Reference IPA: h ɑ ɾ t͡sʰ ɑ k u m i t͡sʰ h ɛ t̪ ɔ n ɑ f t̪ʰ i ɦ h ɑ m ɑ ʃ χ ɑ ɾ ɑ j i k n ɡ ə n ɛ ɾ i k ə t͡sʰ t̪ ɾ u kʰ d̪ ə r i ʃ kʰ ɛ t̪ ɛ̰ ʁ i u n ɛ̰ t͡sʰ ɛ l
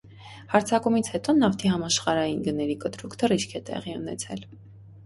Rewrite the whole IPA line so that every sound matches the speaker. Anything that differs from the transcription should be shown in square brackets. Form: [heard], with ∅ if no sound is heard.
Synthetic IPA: h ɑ ɾ t͡sʰ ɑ k u m i t͡sʰ h ɛ t̪ ɔ n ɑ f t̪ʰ i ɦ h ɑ m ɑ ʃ χ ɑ ɾ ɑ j i [∅] n ɡ ə n ɛ ɾ i k ə [∅] t̪ ɾ u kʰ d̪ ə r i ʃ kʰ ɛ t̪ ɛ̰ ʁ i u n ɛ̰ t͡sʰ ɛ l